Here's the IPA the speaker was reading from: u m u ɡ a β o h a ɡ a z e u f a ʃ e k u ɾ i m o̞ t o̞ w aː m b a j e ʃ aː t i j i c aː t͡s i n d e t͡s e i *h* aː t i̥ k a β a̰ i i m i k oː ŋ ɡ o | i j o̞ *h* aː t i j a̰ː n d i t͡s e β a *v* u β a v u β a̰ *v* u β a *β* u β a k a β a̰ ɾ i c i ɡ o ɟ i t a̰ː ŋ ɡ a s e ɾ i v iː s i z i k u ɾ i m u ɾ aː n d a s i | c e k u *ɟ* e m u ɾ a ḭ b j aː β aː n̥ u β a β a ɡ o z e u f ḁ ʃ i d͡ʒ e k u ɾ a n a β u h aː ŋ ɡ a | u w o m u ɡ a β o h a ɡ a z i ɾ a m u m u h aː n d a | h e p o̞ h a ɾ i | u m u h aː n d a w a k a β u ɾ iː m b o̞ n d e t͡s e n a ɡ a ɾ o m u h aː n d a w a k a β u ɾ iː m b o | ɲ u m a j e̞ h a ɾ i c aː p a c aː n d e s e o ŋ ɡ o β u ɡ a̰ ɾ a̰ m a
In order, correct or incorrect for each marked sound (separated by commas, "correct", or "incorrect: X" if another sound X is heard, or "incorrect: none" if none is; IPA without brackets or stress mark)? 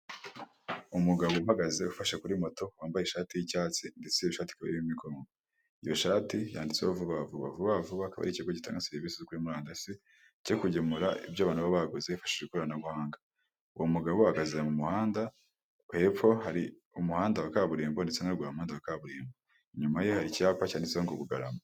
incorrect: ʃ, incorrect: ʃ, correct, correct, incorrect: v, correct